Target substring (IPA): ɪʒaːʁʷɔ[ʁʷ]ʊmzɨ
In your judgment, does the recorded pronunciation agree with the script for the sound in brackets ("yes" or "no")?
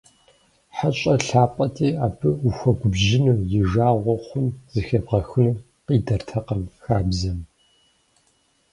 no